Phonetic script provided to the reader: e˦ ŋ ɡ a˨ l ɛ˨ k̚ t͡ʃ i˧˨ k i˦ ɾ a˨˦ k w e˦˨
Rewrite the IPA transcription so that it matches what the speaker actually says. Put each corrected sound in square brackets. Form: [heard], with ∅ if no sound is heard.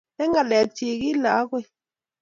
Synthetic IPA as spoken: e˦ ŋ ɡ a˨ l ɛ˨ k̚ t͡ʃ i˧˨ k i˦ [l] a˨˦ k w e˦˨